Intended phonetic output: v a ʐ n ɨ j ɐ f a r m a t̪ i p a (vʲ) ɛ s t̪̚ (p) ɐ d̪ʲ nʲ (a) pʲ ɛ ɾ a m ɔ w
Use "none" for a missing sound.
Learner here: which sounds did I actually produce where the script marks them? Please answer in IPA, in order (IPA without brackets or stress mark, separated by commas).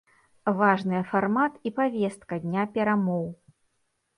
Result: vʲ, k, a